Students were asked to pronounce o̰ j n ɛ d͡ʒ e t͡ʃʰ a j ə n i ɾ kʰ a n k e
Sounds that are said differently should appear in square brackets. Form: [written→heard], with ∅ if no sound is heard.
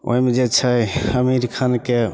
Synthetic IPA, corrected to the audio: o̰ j [n→m] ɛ d͡ʒ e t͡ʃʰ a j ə [n→m] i ɾ kʰ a n k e

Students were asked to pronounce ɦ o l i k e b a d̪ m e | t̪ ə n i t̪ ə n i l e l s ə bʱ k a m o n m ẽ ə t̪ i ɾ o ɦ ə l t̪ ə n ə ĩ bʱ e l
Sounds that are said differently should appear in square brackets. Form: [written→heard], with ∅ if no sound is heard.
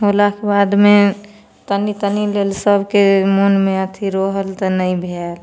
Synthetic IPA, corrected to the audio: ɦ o l [i→a] k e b a d̪ m e | t̪ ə n i t̪ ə n i l e l s ə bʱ k [a→e] m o n m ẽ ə [t̪→t̪ʰ] i ɾ o ɦ ə l t̪ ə n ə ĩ bʱ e l

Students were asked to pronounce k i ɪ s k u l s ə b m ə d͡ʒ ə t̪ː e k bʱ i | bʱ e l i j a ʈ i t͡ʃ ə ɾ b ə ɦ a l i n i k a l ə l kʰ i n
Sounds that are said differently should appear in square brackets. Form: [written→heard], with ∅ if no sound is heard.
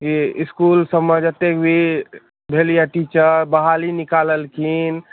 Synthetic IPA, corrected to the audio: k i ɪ s k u l s ə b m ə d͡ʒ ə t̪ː e k bʱ i | bʱ e l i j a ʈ i t͡ʃ ə ɾ b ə ɦ a l i n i k a l ə l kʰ i n

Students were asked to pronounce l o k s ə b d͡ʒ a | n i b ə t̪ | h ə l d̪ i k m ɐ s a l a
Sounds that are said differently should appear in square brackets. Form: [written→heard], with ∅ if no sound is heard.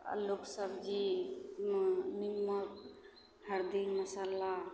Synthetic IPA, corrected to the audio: l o k s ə b d͡ʒ [a→i] | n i [b→m] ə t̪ | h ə [l→ɾ] d̪ i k m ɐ s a l a

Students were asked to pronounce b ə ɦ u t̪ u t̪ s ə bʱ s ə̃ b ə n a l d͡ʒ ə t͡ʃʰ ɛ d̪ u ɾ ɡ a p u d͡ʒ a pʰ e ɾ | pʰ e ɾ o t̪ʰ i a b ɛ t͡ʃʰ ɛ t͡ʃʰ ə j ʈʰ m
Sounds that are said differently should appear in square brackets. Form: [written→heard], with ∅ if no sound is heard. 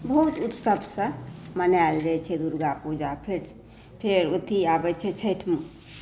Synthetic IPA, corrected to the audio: b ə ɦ u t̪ u t̪ s ə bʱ s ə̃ [b→m] ə n a l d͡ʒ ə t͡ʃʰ ɛ d̪ u ɾ ɡ a p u d͡ʒ a pʰ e ɾ | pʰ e ɾ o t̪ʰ i a b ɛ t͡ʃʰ ɛ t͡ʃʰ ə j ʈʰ m

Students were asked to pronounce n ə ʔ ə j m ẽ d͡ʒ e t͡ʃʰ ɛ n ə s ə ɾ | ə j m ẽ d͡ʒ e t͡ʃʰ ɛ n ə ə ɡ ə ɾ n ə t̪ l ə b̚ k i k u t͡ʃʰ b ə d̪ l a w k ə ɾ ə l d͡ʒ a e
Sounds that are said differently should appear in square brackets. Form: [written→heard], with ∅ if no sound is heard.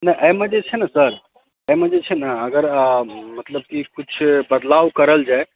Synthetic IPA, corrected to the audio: n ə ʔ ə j m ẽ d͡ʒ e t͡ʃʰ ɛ n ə s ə ɾ | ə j m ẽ d͡ʒ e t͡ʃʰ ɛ n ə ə ɡ ə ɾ [n→m] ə t̪ l ə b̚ k i k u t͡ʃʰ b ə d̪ l a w k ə ɾ ə l d͡ʒ a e

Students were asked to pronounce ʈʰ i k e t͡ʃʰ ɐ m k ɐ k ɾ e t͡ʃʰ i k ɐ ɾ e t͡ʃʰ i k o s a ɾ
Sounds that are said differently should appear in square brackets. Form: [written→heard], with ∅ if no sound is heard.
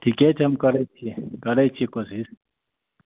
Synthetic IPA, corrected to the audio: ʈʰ i k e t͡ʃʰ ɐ m k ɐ [k→∅] ɾ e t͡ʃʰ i k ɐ ɾ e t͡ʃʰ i k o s [a→i] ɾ

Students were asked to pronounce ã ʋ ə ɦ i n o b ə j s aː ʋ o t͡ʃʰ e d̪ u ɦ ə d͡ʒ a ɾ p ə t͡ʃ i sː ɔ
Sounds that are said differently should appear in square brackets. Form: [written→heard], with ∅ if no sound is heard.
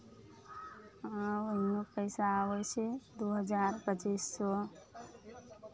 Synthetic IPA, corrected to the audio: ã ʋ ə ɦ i n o [b→p] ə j s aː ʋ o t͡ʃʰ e d̪ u ɦ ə d͡ʒ a ɾ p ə t͡ʃ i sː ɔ

